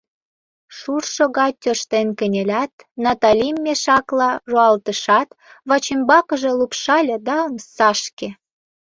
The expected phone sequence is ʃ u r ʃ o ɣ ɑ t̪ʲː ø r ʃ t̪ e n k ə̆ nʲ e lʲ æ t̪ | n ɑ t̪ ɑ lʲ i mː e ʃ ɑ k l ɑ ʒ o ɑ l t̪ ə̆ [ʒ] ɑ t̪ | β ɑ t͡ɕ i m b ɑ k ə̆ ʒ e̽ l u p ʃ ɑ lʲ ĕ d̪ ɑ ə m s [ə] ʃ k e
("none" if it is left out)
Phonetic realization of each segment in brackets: ʃ, ɑ

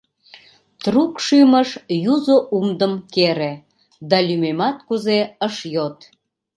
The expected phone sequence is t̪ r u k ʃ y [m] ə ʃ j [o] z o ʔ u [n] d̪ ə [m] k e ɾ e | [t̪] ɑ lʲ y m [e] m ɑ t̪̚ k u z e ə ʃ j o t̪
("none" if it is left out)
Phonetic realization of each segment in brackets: m, u, m, m, d̪, e

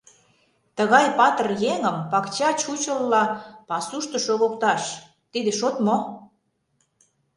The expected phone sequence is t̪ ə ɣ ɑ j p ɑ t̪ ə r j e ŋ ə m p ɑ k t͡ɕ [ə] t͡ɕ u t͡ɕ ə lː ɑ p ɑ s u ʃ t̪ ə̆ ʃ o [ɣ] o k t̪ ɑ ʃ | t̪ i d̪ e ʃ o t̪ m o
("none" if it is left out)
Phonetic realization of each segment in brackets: ɑ, ɣ

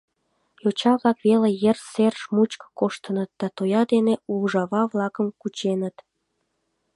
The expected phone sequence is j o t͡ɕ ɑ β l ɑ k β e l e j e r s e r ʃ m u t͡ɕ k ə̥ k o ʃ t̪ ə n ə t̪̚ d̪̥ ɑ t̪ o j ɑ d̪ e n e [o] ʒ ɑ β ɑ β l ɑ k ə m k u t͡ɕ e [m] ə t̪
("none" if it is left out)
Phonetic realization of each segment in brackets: u, n

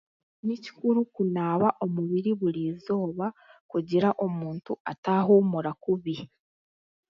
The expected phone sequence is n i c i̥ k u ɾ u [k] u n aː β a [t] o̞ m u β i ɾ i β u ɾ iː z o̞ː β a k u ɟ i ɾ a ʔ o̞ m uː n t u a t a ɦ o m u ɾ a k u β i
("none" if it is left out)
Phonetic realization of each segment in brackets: k, ʔ

